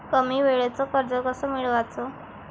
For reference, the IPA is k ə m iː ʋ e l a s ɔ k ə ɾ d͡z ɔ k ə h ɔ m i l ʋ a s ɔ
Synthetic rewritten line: k ə m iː ʋ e ɭ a t͡s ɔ k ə ɾ d͡z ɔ k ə s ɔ m i ɭ ʋ a t͡s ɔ